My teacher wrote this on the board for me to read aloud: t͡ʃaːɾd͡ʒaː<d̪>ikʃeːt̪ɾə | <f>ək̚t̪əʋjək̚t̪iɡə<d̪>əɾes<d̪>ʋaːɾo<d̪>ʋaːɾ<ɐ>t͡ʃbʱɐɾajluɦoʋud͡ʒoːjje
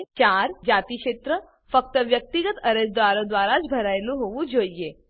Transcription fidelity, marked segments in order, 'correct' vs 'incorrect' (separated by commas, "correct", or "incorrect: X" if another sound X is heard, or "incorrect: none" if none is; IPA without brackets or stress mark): incorrect: t̪, correct, incorrect: t̪, correct, correct, incorrect: a